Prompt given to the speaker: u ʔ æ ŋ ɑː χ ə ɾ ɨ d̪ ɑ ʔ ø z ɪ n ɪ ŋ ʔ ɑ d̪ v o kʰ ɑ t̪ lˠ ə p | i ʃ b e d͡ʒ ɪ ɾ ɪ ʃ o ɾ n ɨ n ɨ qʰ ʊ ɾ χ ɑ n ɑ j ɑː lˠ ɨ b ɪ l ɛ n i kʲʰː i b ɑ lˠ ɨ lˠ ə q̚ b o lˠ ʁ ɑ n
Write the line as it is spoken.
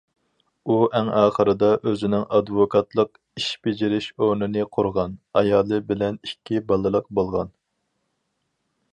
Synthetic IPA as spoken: u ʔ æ ŋ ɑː χ ə ɾ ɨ d̪ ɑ ʔ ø z ɪ n ɪ ŋ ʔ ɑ d̪ v o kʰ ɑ t̪ lˠ ə q | i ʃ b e d͡ʒ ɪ ɾ ɪ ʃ o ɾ n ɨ n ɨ qʰ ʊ ɾ ʁ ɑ n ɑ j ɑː lˠ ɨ b ɪ l ɛ n i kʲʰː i b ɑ lˠ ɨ lˠ ə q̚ b o lˠ ʁ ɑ n

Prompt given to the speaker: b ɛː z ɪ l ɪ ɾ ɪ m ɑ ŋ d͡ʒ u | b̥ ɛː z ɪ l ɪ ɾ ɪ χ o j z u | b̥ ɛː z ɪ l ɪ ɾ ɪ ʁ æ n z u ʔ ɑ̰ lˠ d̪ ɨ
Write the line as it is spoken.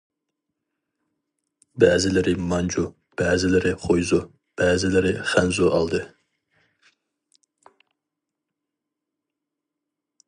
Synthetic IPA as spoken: b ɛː z ɪ l ɪ ɾ ɪ m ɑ n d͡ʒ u | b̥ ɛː z ɪ l ɪ ɾ ɪ χ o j z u | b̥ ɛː z ɪ l ɪ ɾ ɪ χ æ n z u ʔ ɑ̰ lˠ d̪ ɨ

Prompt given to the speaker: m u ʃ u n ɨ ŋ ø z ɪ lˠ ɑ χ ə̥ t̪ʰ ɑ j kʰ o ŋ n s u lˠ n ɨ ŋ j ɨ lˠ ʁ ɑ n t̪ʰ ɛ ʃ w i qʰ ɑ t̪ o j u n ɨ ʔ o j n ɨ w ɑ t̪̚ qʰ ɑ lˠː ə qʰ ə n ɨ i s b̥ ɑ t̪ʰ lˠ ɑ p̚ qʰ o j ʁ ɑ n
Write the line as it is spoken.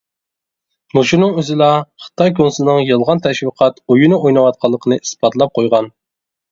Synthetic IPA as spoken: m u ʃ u n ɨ ŋ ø z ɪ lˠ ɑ χ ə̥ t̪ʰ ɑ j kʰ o n s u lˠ n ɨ ŋ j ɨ lˠ ʁ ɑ n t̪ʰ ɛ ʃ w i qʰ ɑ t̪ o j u n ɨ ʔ o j n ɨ w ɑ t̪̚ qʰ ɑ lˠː ə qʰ ə n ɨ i s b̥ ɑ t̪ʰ lˠ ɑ p̚ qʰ o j ʁ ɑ n

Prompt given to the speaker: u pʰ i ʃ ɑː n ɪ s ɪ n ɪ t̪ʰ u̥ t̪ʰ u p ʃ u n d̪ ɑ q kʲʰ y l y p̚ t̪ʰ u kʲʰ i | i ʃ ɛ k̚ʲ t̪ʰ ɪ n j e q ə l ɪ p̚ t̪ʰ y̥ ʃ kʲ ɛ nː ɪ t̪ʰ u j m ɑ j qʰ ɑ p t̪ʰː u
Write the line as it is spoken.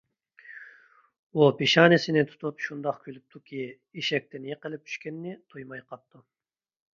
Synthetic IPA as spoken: u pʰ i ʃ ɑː n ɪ s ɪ n ɪ t̪ʰ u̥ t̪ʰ u p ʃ u n d̪ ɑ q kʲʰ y l y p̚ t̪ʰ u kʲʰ i | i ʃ ɛ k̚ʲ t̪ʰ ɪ n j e q ə l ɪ p̚ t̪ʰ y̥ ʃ kʲ ɛ nː ɪ t̪ʰ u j m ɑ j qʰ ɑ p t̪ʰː u

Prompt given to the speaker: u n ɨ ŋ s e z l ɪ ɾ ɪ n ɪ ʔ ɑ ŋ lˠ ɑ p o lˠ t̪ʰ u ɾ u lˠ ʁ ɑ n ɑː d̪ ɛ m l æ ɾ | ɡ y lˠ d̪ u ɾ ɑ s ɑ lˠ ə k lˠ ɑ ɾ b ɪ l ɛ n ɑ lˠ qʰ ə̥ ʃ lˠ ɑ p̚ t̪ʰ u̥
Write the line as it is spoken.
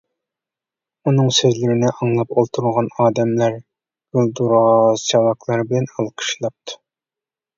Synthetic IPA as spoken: u n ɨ ŋ s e z l ɪ ɾ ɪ n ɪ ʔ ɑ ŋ lˠ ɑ p o lˠ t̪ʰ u ɾ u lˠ ʁ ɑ n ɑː d̪ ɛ m l æ ɾ | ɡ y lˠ d̪ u ɾ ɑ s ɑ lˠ ɑ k lˠ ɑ ɾ b ɪ l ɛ n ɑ lˠ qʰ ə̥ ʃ lˠ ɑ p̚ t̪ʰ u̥

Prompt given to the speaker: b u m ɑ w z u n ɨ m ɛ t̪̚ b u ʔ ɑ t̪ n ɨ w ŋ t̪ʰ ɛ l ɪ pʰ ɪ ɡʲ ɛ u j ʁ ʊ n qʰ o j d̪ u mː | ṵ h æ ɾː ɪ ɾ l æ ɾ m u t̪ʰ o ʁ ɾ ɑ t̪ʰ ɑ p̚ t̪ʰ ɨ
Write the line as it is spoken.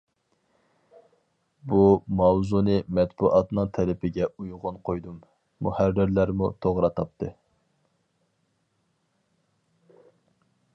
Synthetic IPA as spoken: b u m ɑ w z u n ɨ m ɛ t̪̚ b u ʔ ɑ t̪ n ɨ ŋ t̪ʰ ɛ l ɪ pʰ ɪ ɡʲ ɛ u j ʁ ʊ n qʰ o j d̪ u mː | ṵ h æ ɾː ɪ ɾ l æ ɾ m u t̪ʰ o ʁ ɾ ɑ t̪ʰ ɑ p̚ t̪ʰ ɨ

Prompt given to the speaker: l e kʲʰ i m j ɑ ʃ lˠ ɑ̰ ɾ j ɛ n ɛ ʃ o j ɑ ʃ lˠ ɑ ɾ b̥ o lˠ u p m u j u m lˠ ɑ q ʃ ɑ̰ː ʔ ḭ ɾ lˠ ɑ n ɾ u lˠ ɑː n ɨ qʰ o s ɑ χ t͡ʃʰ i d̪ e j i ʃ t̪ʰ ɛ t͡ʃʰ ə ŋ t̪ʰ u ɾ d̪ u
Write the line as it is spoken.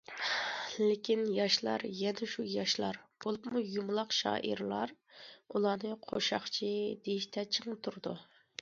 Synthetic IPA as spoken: l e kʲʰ i n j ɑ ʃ lˠ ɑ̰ ɾ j ɛ n ɛ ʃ u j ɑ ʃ lˠ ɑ ɾ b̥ o lˠ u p m u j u m lˠ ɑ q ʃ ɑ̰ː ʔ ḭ ɾ lˠ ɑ ɾ u lˠ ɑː n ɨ qʰ o ʃ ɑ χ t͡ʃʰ i d̪ e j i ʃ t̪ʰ ɛ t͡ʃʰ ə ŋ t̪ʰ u ɾ d̪ u

